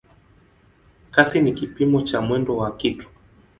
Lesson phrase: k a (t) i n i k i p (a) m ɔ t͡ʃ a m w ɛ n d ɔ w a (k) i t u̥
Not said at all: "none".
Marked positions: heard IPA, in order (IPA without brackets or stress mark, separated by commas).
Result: s, i, k